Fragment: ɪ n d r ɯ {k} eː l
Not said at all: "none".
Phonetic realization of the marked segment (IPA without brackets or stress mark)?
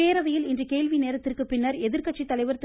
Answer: k